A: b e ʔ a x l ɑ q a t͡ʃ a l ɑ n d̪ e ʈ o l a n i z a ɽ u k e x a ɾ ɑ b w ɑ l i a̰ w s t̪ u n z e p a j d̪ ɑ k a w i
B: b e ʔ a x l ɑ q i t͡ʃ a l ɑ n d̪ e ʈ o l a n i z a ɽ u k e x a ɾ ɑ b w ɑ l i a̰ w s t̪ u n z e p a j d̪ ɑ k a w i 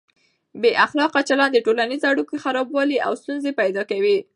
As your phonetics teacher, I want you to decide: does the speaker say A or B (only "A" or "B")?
A